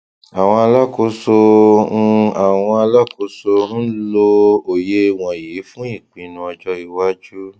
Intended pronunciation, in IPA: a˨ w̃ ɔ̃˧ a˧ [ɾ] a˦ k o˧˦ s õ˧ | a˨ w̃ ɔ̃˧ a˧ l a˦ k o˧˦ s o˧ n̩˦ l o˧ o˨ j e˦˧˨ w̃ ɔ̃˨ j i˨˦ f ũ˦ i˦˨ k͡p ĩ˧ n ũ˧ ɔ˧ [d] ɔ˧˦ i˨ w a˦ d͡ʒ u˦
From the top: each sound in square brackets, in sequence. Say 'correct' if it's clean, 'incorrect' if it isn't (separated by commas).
incorrect, incorrect